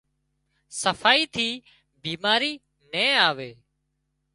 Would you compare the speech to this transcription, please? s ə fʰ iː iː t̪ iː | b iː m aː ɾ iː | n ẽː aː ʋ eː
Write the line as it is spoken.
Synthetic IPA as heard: s ə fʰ aː iː t̪ʰ iː | b iː m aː ɾ iː | n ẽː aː ʋ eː